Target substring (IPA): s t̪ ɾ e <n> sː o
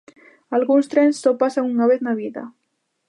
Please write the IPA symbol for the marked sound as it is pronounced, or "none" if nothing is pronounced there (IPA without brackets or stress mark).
n